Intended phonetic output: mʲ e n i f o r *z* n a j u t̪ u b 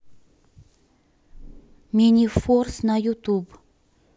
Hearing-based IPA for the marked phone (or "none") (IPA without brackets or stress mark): s